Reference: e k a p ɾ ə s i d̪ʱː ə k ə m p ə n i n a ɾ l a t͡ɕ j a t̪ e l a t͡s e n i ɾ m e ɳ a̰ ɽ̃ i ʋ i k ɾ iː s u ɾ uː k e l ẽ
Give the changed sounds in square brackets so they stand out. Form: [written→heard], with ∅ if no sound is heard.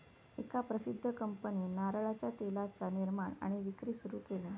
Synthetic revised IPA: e k a p ɾ ə s i d̪ʱː ə k ə m p ə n i n a ɾ [l→ɭ] a t͡ɕ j a t̪ e l a t͡s [e→a] n i ɾ m [e→a] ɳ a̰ ɽ̃ i ʋ i k ɾ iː s u ɾ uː k e l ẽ